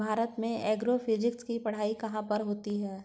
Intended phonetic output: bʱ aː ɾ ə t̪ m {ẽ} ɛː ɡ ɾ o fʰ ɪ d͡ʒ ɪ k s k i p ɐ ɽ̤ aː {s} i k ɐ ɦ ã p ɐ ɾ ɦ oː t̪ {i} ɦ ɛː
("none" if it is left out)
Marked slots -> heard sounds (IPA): ẽ, none, i

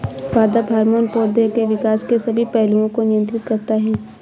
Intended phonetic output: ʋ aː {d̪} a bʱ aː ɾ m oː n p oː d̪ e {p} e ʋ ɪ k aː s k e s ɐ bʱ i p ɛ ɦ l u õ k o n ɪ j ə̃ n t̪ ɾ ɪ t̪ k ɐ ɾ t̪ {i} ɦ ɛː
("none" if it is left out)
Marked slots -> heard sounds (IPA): d̪, k, a

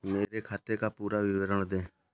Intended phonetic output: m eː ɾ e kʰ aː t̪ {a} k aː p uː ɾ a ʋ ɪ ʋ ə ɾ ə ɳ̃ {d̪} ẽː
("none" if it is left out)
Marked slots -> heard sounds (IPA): e, d̪

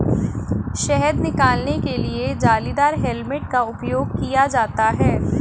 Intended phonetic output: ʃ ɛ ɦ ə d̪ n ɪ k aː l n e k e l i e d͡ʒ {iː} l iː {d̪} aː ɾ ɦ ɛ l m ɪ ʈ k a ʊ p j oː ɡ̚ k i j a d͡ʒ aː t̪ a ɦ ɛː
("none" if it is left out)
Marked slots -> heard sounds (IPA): aː, d̪

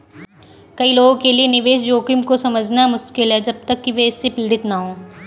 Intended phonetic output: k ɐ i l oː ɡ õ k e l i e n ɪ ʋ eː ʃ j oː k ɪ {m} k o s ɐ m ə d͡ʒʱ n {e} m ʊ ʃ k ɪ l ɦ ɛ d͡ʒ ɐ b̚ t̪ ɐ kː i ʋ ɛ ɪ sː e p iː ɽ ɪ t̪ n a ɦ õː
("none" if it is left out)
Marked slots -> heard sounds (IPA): m, a

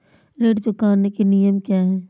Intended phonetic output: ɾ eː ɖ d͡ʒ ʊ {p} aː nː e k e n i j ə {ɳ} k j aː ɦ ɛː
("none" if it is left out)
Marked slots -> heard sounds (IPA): k, m

